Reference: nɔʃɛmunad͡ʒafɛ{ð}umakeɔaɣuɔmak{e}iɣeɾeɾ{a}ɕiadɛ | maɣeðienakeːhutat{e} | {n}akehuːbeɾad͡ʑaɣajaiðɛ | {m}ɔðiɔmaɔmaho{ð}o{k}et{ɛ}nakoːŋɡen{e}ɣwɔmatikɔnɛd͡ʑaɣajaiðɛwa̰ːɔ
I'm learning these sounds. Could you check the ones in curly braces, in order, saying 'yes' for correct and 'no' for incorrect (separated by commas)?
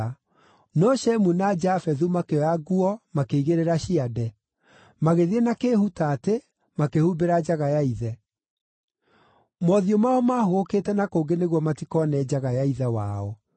yes, yes, yes, yes, no, yes, no, yes, yes, yes